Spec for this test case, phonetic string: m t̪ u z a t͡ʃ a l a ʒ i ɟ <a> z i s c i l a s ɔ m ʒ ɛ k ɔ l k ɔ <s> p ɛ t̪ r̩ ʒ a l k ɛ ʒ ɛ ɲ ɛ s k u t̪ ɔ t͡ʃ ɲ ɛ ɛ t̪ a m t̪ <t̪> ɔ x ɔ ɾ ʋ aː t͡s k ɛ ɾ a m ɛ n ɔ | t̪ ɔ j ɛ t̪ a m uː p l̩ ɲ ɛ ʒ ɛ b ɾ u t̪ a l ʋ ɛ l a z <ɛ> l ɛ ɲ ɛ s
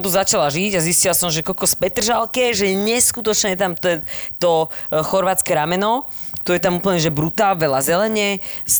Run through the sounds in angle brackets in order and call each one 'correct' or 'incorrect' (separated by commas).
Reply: correct, correct, correct, correct